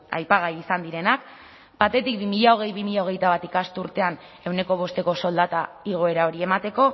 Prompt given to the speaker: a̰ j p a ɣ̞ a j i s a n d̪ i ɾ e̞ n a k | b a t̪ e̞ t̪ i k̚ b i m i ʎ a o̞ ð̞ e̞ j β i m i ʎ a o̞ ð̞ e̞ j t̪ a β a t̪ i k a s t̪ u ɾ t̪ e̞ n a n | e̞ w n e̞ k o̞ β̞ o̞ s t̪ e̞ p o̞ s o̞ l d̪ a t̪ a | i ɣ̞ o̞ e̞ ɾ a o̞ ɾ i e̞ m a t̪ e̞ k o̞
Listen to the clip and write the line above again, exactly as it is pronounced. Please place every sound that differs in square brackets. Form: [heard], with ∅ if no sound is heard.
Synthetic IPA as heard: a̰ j p a ɣ̞ a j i s a n d̪ i ɾ e̞ n a k | b a t̪ e̞ t̪ i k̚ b i m i ʎ a o̞ [ɣ̞] e̞ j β i m i ʎ a o̞ [ɣ̞] e̞ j t̪ a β a t̪ i k a s t̪ u ɾ t̪ e̞ [∅] a n | e̞ w n e̞ k o̞ β̞ o̞ s t̪ e̞ [k] o̞ s o̞ l d̪ a t̪ a | i ɣ̞ o̞ e̞ ɾ a o̞ ɾ i e̞ m a t̪ e̞ k o̞